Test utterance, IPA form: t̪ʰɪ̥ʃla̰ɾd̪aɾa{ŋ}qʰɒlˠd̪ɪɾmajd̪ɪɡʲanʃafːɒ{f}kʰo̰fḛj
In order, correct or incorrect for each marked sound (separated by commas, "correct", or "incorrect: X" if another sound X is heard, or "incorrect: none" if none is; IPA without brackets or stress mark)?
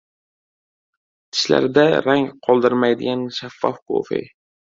correct, correct